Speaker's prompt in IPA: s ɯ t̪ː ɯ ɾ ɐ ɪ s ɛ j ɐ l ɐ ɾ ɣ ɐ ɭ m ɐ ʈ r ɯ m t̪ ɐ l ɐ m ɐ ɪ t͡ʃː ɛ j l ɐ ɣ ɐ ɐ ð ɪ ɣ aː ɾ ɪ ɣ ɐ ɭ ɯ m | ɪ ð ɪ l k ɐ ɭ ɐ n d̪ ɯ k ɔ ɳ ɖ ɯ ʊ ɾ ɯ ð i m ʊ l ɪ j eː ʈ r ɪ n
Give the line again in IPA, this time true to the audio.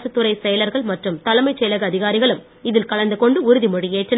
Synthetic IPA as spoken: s ɯ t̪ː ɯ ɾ ɐ ɪ s ɛ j ɐ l ɐ ɾ ɣ ɐ ɭ m ɐ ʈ r ɯ m t̪ ɐ l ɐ m ɐ ɪ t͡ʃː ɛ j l ɐ ɣ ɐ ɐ ð ɪ ɣ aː ɾ ɪ ɣ ɐ ɭ ɯ m | ɪ ð ɪ l k ɐ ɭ ɐ n d̪ ɯ k ɔ ɳ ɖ ɯ ʊ ɾ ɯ ð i m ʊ ɽ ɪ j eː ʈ r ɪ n